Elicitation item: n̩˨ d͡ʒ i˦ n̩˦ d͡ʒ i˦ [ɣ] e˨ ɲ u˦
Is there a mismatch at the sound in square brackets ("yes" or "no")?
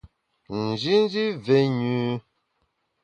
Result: yes